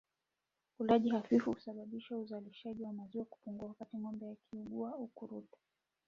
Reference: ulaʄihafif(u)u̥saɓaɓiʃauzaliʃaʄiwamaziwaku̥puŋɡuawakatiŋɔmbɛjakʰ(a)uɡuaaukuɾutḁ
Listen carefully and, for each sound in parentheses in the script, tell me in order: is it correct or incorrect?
correct, incorrect

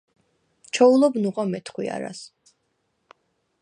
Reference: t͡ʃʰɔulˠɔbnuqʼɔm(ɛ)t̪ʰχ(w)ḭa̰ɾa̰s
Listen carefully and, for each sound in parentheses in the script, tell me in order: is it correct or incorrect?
correct, correct

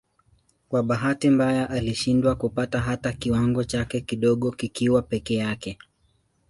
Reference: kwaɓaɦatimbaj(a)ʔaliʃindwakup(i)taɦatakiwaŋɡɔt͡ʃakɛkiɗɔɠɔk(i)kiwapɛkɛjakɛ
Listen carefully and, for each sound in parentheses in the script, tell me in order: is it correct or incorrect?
correct, incorrect, correct

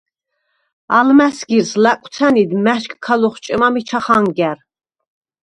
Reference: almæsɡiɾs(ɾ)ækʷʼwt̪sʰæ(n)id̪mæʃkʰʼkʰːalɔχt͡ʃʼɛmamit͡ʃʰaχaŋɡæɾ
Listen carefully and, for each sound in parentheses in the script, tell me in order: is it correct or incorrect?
incorrect, correct

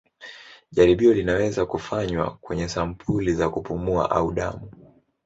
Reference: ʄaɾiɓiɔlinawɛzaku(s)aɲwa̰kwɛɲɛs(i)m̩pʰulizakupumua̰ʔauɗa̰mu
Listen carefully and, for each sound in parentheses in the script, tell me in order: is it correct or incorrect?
incorrect, incorrect

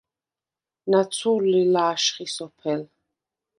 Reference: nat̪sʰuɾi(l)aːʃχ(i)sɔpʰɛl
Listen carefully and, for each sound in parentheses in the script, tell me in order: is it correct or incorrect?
correct, correct

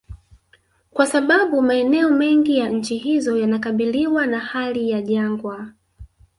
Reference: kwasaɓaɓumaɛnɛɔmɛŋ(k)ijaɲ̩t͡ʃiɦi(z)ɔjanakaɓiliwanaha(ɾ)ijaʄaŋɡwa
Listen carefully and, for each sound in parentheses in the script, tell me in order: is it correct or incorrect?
incorrect, correct, incorrect

